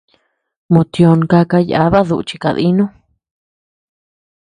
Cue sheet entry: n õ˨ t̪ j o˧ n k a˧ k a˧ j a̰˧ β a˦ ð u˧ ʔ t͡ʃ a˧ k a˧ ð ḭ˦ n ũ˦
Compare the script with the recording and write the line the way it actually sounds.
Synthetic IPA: m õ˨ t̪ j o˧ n k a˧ k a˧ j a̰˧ β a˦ ð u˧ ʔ t͡ʃ i˧ k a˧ ð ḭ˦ n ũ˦